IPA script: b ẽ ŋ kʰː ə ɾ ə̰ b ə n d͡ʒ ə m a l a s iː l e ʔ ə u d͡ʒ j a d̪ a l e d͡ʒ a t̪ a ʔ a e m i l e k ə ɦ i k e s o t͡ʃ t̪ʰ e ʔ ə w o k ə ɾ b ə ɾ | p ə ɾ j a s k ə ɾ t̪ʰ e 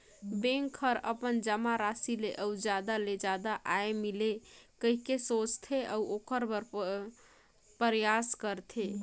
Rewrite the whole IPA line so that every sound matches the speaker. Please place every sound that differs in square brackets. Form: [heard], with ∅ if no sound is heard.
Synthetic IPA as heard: b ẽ ŋ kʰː ə ɾ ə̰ [p] ə n d͡ʒ ə m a [ɾ] a s [i] l e ʔ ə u d͡ʒ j a d̪ a l e d͡ʒ a [d̪] a ʔ a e m i l e k ə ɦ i k e s o t͡ʃ t̪ʰ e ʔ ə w o k ə ɾ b ə ɾ | p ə ɾ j a s k ə ɾ t̪ʰ e